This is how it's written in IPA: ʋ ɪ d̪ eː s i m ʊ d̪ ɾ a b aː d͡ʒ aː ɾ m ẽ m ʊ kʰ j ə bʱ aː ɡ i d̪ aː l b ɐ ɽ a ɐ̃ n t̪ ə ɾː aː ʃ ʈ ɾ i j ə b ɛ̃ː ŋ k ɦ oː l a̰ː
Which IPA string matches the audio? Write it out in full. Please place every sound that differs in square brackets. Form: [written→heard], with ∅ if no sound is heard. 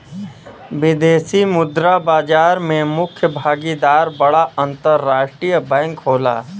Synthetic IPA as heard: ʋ ɪ d̪ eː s i m ʊ d̪ ɾ a b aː d͡ʒ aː ɾ m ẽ m ʊ kʰ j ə bʱ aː ɡ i d̪ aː [l→ɾ] b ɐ ɽ a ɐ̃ n t̪ ə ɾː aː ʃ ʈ ɾ i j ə b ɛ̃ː ŋ k ɦ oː l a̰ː